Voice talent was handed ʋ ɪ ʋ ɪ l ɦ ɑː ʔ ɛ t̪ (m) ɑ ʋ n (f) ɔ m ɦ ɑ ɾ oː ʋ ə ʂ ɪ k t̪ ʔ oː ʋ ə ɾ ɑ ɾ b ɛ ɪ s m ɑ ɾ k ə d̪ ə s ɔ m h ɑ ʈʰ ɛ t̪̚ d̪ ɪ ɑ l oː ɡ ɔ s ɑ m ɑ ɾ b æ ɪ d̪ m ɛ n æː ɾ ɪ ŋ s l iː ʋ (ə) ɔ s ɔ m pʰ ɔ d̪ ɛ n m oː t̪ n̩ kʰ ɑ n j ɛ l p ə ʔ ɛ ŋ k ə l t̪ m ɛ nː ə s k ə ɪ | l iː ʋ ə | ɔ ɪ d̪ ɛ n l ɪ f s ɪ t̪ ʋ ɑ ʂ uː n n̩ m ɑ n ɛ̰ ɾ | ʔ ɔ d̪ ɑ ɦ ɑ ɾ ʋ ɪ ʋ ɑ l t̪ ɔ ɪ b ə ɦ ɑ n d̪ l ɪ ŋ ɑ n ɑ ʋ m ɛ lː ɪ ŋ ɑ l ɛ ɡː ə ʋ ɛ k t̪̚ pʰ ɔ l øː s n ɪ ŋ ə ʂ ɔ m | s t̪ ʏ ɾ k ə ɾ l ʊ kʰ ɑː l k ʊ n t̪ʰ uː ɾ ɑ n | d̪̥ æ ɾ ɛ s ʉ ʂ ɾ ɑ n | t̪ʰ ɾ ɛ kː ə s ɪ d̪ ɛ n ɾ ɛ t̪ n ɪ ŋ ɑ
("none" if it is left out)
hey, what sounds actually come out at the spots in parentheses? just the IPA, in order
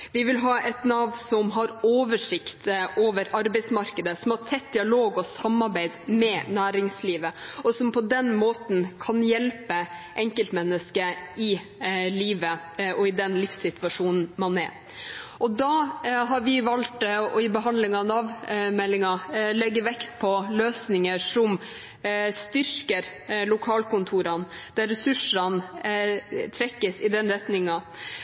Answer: n, s, ə

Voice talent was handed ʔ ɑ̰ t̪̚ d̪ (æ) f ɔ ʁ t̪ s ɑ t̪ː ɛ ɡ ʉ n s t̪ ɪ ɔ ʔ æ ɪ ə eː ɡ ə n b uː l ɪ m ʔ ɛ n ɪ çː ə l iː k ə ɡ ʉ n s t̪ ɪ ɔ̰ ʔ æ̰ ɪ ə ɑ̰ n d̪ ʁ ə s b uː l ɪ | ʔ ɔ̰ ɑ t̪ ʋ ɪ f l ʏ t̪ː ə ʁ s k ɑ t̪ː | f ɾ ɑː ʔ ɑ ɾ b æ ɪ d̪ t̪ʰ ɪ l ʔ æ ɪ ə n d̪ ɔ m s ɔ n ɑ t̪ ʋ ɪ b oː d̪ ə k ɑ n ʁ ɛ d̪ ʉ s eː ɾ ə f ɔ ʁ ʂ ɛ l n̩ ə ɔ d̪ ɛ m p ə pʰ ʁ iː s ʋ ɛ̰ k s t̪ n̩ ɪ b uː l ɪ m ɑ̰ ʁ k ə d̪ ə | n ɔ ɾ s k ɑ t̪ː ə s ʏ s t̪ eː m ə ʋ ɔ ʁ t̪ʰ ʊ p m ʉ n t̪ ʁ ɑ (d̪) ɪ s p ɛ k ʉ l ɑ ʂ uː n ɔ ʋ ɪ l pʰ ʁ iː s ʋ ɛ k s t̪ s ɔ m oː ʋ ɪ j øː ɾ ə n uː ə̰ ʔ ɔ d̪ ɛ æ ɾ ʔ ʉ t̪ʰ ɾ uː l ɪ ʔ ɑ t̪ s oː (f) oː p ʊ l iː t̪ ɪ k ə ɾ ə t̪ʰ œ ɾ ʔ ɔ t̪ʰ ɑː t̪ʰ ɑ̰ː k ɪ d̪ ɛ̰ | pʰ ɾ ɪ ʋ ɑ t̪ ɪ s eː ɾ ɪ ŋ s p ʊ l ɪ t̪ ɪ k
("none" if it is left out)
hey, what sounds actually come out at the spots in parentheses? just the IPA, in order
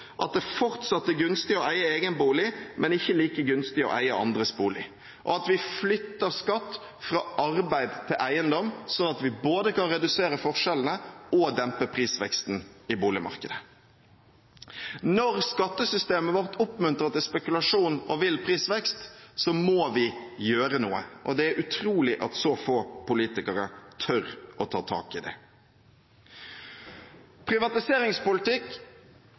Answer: ɛ, t̪, f

